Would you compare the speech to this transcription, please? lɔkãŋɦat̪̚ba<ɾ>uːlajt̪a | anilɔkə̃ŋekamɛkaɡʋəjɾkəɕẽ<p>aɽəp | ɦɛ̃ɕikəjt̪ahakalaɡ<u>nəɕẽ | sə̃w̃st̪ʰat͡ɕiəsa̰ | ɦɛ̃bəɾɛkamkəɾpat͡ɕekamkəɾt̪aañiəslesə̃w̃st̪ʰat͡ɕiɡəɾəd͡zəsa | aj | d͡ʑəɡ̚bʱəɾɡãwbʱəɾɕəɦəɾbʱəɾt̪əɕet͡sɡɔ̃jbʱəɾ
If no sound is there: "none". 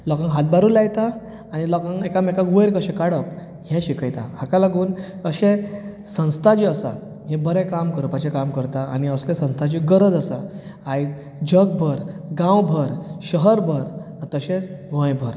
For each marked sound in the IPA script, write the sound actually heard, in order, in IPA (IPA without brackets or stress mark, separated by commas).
ɾ, k, uː